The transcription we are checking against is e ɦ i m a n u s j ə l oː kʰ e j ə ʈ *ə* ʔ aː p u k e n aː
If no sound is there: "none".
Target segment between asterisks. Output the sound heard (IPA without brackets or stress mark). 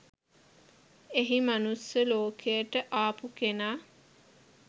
ə